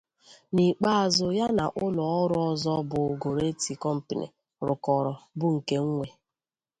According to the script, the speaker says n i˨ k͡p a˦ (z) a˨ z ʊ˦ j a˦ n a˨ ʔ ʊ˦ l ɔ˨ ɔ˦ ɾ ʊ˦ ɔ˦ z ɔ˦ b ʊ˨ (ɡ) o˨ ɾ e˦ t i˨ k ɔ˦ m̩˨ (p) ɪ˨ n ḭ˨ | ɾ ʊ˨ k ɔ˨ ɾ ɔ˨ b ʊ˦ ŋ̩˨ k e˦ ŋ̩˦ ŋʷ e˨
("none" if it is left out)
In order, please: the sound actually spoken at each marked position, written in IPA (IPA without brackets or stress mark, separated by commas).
none, ɡ, p